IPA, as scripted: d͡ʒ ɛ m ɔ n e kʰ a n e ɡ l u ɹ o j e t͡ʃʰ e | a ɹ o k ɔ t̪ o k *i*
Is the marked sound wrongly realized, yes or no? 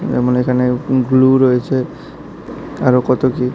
no